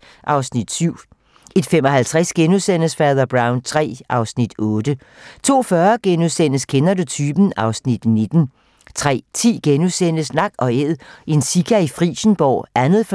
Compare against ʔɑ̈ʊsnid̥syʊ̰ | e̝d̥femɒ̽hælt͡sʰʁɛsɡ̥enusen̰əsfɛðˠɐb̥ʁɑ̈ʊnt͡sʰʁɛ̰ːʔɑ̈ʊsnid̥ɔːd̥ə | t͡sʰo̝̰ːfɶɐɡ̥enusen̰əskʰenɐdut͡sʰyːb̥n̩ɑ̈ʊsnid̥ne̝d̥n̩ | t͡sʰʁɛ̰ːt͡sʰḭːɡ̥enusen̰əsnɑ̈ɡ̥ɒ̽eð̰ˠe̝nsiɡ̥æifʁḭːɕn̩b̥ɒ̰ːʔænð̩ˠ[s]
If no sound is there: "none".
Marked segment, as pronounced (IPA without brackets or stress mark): f